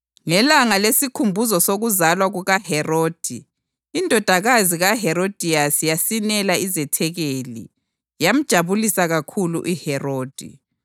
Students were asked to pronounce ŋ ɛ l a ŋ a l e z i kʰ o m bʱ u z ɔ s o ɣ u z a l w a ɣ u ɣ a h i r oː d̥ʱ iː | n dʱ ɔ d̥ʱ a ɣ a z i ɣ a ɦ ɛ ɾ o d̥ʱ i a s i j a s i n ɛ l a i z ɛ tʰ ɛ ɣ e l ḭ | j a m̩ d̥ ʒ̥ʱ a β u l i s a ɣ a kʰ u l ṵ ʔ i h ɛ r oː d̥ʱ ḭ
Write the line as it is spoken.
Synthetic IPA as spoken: ŋ ɛ l a ŋ a l e s i kʰ u m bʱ u z ɔ s o ɣ u z a l w a ɣ u ɣ a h ɛ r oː d̥ʱ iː | n dʱ ɔ d̥ʱ a ɣ a z i ɣ a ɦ ɛ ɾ o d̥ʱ i a s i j a s i n ɛ l a i z ɛ tʰ ɛ ɣ e l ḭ | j a m̩ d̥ ʒ̥ʱ a β u l i s a ɣ a kʰ u l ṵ ʔ i h ɛ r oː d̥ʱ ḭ